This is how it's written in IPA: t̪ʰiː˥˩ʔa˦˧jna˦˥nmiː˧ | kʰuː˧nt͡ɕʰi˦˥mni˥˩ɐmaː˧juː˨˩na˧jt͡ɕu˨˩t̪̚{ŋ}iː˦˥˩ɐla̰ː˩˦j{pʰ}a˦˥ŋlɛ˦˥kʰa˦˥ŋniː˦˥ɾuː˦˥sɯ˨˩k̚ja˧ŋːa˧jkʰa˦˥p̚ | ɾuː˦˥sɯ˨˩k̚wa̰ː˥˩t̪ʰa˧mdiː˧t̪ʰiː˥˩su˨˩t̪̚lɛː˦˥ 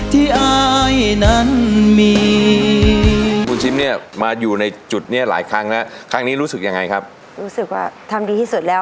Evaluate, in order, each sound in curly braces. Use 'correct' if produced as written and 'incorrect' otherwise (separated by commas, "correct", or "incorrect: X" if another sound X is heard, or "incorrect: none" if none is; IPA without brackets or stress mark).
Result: incorrect: n, incorrect: kʰ